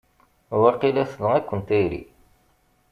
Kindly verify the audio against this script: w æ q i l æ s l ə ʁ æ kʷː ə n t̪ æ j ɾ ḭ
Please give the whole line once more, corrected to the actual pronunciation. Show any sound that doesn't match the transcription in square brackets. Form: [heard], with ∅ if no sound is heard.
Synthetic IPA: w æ q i l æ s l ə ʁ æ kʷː ə n t̪ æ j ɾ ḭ